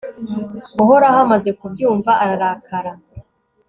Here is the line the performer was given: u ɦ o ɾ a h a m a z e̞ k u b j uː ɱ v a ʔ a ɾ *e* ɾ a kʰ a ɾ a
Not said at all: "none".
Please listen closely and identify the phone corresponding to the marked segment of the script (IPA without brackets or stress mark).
a